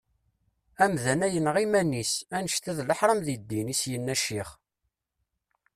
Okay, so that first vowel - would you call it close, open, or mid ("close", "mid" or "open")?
open